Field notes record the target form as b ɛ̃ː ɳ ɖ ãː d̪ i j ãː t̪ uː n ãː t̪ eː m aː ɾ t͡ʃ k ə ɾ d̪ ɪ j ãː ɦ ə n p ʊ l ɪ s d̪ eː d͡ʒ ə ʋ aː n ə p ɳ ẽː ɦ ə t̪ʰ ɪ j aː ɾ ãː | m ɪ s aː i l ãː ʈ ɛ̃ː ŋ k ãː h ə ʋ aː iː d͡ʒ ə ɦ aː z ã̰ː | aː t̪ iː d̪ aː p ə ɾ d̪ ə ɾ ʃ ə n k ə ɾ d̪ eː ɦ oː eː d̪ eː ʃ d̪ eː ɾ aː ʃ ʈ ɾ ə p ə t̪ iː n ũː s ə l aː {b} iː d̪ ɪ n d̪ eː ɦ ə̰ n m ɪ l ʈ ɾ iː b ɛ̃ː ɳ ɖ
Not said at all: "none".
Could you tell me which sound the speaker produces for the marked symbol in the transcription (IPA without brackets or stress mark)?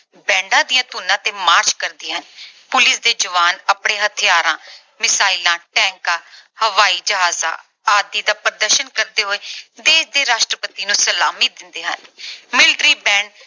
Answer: m